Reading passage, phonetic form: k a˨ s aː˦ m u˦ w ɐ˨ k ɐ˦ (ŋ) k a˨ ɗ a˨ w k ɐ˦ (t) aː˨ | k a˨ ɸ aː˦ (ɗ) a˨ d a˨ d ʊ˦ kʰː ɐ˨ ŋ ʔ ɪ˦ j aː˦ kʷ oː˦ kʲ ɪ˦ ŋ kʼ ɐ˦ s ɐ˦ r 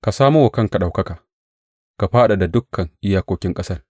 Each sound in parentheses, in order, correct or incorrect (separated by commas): correct, incorrect, correct